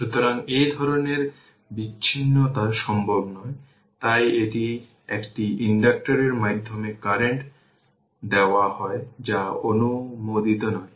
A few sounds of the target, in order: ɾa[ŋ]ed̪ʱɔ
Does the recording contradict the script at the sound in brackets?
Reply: no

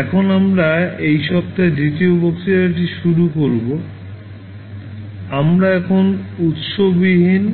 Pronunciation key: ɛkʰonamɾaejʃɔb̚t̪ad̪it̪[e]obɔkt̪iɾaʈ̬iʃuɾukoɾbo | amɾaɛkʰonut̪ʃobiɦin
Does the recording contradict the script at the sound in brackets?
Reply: yes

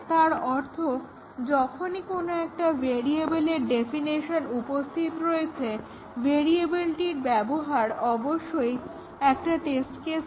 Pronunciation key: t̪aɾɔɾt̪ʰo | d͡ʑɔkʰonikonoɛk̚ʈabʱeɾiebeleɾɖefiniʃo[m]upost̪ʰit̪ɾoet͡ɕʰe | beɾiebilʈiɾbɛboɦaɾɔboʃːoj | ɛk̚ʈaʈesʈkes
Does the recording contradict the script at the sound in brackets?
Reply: yes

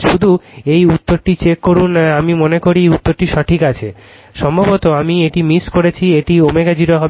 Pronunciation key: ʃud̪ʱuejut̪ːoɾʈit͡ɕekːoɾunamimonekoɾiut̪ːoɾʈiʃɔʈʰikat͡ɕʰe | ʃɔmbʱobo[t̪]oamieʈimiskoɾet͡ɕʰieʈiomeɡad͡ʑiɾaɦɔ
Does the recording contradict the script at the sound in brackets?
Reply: no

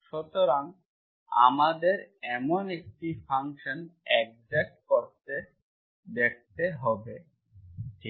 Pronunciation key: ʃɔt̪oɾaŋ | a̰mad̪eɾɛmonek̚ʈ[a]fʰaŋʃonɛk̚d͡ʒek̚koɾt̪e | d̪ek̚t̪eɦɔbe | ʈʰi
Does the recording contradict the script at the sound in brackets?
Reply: yes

